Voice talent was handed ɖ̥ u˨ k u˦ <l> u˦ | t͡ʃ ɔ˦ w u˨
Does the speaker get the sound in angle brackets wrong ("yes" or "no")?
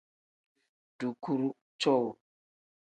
yes